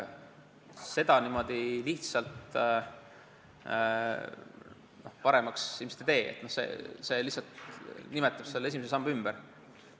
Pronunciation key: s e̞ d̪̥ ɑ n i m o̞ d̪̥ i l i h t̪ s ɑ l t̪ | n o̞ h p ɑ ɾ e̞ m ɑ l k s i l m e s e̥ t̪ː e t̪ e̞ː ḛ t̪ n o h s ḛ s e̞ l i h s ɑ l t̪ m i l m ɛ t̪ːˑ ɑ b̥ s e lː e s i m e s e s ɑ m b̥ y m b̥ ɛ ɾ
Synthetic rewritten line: s e̞ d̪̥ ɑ n i m o̞ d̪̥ i l i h t̪ s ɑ l t̪ | n o̞ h p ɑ ɾ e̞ m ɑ k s i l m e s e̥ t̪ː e t̪ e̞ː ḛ t̪ n o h s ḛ s e̞ l i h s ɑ l t̪ n i m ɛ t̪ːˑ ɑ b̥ s e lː e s i m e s e s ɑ m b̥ y m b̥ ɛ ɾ

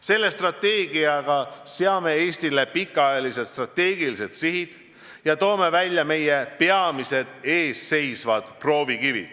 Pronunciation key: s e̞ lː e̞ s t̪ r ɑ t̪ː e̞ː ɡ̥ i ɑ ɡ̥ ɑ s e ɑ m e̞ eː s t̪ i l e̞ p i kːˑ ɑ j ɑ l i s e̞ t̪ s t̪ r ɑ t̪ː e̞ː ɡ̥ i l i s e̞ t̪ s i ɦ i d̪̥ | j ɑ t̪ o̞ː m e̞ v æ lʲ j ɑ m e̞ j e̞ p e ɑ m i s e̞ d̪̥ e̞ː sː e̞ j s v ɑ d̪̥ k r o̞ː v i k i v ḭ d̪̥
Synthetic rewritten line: s e̞ lː e̞ s t̪ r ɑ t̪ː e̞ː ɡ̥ i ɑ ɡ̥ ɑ s e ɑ m e̞ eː s t̪ i l e̞ p i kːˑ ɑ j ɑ l i s e̞ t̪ s t̪ r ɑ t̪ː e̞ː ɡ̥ i l i s e̞ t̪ s i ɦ i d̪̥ | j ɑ t̪ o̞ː m e̞ v æ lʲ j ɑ m e̞ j e̞ p e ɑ m i s e̞ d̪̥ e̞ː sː e̞ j s v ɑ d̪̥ p r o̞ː v i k i v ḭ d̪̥

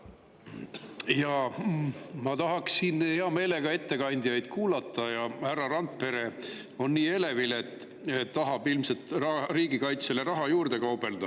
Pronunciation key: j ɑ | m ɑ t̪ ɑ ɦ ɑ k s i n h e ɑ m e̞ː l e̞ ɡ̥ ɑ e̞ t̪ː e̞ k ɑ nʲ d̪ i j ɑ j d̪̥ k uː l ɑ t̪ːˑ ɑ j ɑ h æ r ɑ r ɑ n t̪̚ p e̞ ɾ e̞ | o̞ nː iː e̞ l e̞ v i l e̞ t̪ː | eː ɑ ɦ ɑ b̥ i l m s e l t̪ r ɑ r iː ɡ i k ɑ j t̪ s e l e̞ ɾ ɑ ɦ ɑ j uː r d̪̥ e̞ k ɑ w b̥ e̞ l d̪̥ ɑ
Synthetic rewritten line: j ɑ | m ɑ t̪ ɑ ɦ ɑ k s i n h e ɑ m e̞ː l e̞ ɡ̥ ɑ e̞ t̪ː e̞ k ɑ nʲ d̪ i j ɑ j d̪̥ k uː l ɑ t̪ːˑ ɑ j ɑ h æ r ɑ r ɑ n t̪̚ p e̞ ɾ e̞ | o̞ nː iː e̞ l e̞ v i l e̞ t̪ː | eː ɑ ɦ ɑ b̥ i l m s e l t̪ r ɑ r iː ɡ i k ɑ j t̪ s e l e̞ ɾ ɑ ɦ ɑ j uː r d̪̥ e̞ k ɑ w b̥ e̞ l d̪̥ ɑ

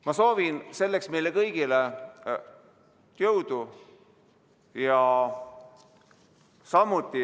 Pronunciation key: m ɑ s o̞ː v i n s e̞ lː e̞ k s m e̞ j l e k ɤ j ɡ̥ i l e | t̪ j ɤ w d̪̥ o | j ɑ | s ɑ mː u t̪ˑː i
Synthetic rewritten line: m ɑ s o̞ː v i n s e̞ lː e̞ k s m e̞ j l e k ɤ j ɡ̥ i l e | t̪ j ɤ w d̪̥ u | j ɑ | s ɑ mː u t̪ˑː i

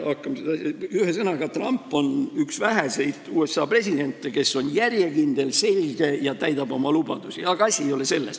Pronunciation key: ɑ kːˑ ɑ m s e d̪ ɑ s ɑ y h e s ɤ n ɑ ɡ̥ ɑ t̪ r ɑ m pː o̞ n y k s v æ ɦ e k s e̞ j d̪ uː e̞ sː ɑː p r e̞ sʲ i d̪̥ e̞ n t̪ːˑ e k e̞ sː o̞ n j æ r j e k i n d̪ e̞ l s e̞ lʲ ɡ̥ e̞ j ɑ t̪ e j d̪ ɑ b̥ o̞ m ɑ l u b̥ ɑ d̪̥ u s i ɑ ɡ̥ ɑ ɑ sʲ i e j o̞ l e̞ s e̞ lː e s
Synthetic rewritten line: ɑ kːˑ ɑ m s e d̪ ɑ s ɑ y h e s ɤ n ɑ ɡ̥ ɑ t̪ r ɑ m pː o̞ n y k s v æ ɦ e s e̞ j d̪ uː e̞ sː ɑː p r e̞ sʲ i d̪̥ e̞ n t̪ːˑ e k e̞ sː o̞ n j æ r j e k i n d̪ e̞ l s e̞ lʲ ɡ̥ e̞ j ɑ t̪ æ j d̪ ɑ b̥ o̞ m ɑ l u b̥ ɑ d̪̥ u s i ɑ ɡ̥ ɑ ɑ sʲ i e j o̞ l e̞ s e̞ lː e s

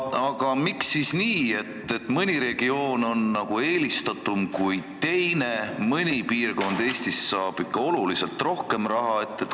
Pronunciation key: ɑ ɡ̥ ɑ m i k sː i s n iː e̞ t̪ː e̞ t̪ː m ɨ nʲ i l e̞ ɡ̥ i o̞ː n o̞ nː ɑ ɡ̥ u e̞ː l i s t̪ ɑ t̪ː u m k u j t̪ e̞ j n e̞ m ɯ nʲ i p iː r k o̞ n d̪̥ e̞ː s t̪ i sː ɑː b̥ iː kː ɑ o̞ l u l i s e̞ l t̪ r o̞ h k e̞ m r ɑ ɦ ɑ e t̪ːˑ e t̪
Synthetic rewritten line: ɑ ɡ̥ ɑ m i k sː i s n iː e̞ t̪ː e̞ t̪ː m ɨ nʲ i ɾ e̞ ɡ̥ i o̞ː n o̞ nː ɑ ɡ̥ u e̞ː l i s t̪ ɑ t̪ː u m k u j t̪ e̞ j n e̞ m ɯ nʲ i p iː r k o̞ n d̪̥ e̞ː s t̪ i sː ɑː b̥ i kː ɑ o̞ l u l i s e̞ l t̪ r o̞ h k e̞ m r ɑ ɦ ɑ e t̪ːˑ e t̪

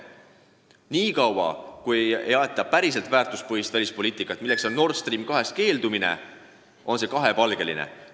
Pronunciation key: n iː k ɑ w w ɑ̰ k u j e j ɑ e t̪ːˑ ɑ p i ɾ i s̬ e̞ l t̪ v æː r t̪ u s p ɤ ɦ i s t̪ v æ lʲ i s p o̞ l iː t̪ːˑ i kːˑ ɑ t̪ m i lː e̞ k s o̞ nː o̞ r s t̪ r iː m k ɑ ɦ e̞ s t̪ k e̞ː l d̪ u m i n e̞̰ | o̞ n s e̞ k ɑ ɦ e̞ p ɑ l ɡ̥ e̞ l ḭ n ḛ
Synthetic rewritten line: n iː k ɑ w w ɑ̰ k u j e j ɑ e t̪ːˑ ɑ p æ ɾ i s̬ e̞ l t̪ v æː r t̪ u s p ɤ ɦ i s t̪ v æ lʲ i s p o̞ l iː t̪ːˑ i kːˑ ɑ t̪ m i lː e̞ k s o̞ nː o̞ r s t̪ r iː m k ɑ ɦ e̞ s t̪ k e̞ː l d̪ u m i n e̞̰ | o̞ n s e̞ k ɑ ɦ e̞ p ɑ l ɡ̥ e̞ l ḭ n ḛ

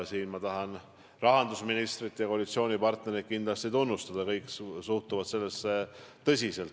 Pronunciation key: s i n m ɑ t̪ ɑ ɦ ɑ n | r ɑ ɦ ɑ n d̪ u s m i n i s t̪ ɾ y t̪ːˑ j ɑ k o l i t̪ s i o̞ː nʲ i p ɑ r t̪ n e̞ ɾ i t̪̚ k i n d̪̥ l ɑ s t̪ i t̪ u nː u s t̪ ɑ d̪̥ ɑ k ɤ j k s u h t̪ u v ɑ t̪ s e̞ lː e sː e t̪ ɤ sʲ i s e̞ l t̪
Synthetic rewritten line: s iː n m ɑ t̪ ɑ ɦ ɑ n | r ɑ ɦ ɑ n d̪ u s m i n i s t̪ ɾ i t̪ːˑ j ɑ k o l i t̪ s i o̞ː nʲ i p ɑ r t̪ n e̞ ɾ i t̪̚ k i n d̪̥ l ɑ s t̪ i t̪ u nː u s t̪ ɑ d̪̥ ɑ k ɤ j k s u h t̪ u v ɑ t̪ s e̞ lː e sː e t̪ ɤ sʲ i s e̞ l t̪

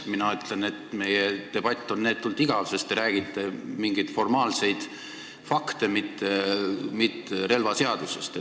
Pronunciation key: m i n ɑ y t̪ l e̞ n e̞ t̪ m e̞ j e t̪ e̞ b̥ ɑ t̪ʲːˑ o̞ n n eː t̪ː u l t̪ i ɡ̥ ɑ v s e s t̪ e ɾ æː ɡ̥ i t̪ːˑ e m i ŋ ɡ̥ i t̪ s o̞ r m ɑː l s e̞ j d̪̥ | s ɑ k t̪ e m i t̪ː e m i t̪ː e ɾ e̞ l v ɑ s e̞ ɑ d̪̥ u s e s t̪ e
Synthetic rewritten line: m i n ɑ y t̪ l e̞ n e̞ t̪ m e̞ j e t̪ e̞ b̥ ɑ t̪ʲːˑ o̞ n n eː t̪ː u l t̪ i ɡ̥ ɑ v s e s t̪ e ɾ æː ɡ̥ i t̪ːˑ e m i ŋ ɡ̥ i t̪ f o̞ r m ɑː l s e̞ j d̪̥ | f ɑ k t̪ e m i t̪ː e m i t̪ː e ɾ e̞ l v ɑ s e̞ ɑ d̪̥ u s e s t̪ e

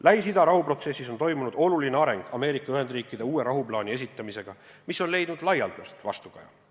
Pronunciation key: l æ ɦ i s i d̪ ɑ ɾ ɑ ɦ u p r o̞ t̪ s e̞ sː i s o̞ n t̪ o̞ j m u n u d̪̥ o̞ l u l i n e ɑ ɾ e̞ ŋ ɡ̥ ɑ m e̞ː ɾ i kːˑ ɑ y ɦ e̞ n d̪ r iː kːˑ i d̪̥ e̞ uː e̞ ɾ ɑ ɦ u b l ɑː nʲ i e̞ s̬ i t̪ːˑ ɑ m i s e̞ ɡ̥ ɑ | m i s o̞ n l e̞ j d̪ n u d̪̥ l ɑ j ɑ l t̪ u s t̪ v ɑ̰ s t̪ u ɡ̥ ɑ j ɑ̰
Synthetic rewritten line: l æ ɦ i s i d̪ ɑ ɾ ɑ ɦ u p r o̞ t̪ s e̞ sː i s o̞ n t̪ o̞ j m u n u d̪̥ o̞ l u l i n e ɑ ɾ e̞ ŋ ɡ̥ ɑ m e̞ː ɾ i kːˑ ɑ y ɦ e̞ n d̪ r iː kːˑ i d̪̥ e̞ uː e̞ ɾ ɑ ɦ u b l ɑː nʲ i e̞ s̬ i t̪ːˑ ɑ m i s e̞ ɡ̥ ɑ | m i s o̞ n l e̞ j d̪ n u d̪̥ l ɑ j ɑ l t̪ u s t̪ v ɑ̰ s t̪ u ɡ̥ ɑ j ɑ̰

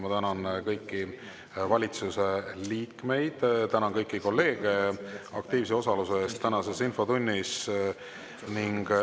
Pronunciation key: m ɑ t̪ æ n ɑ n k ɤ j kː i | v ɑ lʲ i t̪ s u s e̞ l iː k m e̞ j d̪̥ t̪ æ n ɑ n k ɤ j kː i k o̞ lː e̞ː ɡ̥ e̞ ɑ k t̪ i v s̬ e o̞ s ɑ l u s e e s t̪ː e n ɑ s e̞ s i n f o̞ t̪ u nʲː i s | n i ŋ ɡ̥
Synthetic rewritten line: m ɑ t̪ æ n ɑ n k ɤ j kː i | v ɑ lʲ i t̪ s u s e̞ l iː k m e̞ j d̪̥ t̪ æ n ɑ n k ɤ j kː i k o̞ lː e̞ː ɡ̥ e̞ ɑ k t̪ iː v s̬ e o̞ s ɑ l u s e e s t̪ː æ n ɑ s e̞ s i n f o̞ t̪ u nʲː i s | n i ŋ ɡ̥

